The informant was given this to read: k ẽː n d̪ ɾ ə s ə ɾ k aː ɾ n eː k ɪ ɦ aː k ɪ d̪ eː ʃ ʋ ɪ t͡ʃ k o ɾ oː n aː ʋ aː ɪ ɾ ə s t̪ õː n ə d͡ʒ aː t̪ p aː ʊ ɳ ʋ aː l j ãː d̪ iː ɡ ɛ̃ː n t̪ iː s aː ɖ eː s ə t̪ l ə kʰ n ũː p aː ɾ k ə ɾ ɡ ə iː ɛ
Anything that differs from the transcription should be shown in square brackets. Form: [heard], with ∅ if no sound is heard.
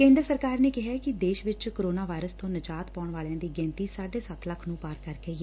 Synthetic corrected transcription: k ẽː n d̪ ɾ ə s ə ɾ k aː ɾ n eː k ɪ ɦ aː k ɪ d̪ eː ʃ ʋ ɪ t͡ʃ k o ɾ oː n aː ʋ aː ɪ ɾ ə s t̪ õː n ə d͡ʒ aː t̪ p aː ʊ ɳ ʋ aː l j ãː d̪ iː ɡ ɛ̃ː n t̪ iː s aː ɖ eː s ə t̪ l ə kʰ n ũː p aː ɾ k ə ɾ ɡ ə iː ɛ